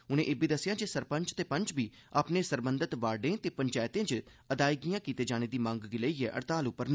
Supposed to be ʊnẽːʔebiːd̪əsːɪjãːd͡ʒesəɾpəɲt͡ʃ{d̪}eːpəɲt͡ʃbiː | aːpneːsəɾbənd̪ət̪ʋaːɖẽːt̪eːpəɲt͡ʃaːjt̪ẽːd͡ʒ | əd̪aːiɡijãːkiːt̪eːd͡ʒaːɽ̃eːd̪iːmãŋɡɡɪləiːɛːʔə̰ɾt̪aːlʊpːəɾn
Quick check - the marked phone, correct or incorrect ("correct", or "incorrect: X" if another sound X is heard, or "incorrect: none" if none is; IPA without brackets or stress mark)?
incorrect: t̪